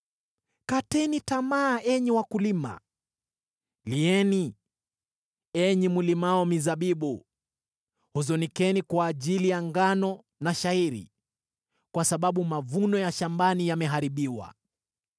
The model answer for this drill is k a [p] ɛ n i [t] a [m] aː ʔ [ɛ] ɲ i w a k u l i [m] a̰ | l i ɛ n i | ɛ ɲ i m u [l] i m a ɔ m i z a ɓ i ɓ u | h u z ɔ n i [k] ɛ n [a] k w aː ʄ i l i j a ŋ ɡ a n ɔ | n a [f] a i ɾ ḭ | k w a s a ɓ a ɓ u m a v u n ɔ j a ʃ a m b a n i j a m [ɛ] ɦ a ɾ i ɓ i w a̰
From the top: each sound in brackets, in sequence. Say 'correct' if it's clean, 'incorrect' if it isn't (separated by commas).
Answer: incorrect, correct, correct, correct, correct, correct, correct, incorrect, incorrect, correct